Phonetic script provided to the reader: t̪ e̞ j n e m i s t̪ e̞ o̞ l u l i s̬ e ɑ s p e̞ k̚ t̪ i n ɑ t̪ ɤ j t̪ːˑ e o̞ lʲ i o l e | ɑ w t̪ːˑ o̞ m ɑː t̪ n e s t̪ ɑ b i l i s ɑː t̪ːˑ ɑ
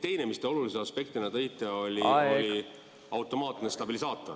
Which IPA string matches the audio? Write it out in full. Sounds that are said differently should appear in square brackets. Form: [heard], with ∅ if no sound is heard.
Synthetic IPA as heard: t̪ e̞ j n e m i s t̪ e̞ o̞ l u l i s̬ e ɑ s p e̞ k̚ t̪ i n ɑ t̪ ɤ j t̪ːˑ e o̞ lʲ i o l [i] | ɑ w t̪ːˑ o̞ m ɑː t̪ n e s t̪ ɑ b i l i s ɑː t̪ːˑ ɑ